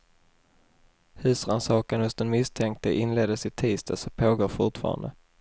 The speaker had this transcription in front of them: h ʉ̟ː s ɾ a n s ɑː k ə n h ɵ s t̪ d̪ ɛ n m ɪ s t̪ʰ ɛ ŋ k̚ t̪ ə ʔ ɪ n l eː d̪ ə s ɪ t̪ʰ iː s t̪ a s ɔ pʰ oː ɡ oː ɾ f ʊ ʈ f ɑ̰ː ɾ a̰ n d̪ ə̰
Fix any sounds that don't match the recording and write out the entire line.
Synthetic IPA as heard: h ʉ̟ː s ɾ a n s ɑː k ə n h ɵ s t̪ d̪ ɛ n m ɪ s t̪ʰ ɛ ŋ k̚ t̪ ə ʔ ɪ n l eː d̪ ə s ɪ t̪ʰ iː s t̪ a s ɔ pʰ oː ɡ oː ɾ f ʊ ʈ f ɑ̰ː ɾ a̰ n d̪ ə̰